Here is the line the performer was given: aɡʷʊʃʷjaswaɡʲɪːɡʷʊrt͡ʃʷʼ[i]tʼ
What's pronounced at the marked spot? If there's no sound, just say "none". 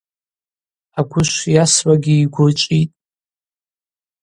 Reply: i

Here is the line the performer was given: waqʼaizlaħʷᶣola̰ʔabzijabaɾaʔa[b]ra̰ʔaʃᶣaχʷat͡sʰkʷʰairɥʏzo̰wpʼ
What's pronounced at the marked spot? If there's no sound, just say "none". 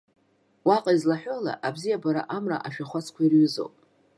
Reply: m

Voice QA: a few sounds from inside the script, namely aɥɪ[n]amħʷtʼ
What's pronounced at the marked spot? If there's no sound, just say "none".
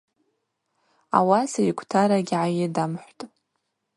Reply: d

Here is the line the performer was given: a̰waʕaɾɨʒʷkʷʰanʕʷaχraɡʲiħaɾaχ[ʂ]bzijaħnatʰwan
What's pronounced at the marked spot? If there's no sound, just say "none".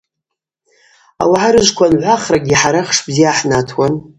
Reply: ʂ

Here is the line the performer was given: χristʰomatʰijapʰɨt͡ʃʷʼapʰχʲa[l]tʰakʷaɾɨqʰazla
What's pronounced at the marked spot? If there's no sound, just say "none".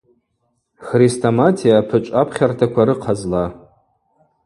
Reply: r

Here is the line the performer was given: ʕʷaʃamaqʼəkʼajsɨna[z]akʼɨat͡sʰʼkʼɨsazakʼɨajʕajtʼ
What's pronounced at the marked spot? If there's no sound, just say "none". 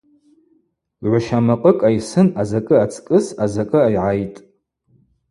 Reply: z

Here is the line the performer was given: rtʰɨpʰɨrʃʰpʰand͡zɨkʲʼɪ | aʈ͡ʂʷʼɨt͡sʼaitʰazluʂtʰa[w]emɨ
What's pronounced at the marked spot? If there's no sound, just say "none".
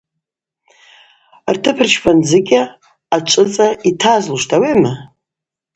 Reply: w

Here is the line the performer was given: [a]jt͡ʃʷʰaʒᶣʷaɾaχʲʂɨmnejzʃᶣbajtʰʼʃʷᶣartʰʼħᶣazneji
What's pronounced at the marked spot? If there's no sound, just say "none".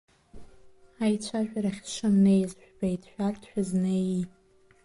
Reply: a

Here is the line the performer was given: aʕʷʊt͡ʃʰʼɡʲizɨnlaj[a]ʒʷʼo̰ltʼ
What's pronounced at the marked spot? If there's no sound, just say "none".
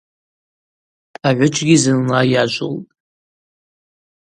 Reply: a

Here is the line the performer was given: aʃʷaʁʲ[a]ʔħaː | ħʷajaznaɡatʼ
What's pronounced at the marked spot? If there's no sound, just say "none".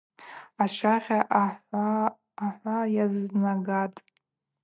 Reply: a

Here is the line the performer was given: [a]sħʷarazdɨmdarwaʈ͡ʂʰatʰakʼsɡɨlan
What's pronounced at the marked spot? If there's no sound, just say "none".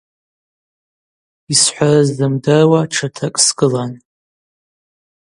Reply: i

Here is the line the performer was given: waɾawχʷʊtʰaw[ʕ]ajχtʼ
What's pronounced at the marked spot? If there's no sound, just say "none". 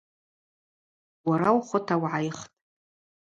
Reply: ʕ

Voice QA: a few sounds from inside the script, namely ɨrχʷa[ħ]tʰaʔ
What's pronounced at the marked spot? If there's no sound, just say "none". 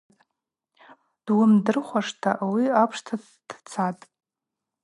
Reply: ʂ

